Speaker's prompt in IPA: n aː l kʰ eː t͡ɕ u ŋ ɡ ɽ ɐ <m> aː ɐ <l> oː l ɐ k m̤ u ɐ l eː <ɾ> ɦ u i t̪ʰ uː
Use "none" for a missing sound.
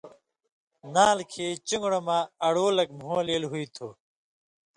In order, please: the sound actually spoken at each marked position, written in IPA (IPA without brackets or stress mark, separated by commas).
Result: m, ɽ, l